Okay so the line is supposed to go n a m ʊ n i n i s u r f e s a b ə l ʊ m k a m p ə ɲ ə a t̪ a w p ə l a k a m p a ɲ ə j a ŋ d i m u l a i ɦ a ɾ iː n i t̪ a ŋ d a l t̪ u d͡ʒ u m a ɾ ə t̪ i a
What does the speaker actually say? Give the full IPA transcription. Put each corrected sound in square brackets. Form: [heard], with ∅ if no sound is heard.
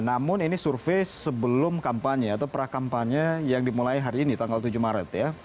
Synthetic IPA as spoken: n a m ʊ n i n i s u r f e s [ə] b ə l ʊ m k a m p [a] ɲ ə a t̪ a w p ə [ɾ] a k a m p a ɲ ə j a ŋ d i m u l a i ɦ a ɾ iː n i t̪ a ŋ [ɡ] a l t̪ u d͡ʒ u m a ɾ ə t̪ [j] a

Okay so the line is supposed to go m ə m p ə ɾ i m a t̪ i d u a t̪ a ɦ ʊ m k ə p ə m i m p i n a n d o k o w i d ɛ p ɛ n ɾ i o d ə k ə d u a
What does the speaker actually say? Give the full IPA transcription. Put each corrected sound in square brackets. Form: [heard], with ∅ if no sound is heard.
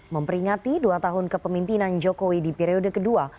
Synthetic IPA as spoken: m ə m p ə ɾ i [ŋ] a t̪ i d u a t̪ a ɦ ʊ [n] k ə p ə m i m p i n a n [d͡ʒ] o k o w i d [i] p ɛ [∅] ɾ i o d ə k ə d u a

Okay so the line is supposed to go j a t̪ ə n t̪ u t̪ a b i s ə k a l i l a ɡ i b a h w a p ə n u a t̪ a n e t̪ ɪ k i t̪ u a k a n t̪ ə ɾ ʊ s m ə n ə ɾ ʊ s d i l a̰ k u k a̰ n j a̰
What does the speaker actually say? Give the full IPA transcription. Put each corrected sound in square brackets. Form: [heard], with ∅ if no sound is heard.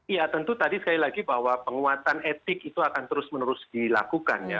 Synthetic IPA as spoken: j a t̪ ə n t̪ u t̪ a [d] i s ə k a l i l a ɡ i b a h w a p ə [ŋ] u a t̪ a n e t̪ ɪ k i t̪ u a k a n t̪ ə ɾ ʊ s m ə n ə ɾ ʊ s d i l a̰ k u k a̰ n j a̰

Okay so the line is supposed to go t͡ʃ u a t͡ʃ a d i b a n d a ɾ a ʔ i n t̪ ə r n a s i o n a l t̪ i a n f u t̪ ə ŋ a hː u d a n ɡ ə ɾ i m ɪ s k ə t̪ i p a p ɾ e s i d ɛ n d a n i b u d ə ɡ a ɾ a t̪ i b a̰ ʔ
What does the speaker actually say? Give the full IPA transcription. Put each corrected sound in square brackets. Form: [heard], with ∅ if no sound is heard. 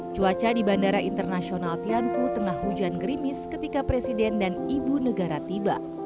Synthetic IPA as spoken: t͡ʃ u a t͡ʃ a d i b a n d a ɾ a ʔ i n t̪ ə r n a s i o n a l t̪ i a n f u t̪ ə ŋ a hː u [d͡ʒ] a n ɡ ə ɾ i m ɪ s k ə t̪ i [k] a p ɾ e s i d ɛ n d a n i b u [n] ə ɡ a ɾ a t̪ i b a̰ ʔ

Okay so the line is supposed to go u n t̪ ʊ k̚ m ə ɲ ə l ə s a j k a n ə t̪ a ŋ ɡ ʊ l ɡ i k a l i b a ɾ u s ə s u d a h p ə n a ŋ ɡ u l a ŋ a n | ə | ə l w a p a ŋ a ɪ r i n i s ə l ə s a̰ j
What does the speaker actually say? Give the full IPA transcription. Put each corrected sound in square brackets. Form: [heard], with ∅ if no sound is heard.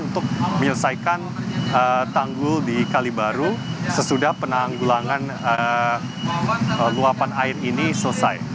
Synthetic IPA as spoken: u n t̪ ʊ k̚ m ə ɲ ə l ə s a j k a n ə t̪ a ŋ ɡ ʊ l [d] i k a l i b a ɾ u s ə s u d a h p ə n a ŋ ɡ u l a ŋ a n | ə | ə l [u] a p a [n] a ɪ r i n i s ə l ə s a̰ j

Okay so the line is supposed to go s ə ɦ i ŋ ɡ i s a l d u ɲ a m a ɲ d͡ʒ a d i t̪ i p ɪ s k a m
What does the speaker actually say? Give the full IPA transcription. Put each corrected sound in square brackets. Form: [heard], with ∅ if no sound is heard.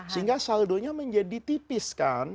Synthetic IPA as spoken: s ə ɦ i ŋ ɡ [a] s a l d [o] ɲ a m [ə] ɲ d͡ʒ a d i t̪ i p ɪ s k a [n]

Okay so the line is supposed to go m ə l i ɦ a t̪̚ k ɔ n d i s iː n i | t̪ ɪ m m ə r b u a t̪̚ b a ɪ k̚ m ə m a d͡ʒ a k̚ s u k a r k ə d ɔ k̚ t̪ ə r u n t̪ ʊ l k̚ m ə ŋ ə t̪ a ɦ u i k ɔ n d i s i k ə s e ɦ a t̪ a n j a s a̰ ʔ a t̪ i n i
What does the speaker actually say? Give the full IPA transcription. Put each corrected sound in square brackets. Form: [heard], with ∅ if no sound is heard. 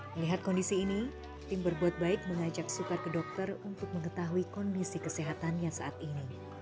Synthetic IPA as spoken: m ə l i ɦ a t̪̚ k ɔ n d i s iː n i | t̪ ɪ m [b] ə r b u a t̪̚ b a ɪ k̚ m ə [ŋ] a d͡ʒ a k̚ s u k a r k ə d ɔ k̚ t̪ ə r u n t̪ ʊ [∅] k̚ m ə ŋ ə t̪ a ɦ u i k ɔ n d i s i k ə s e ɦ a t̪ a n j a s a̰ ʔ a t̪ i n i

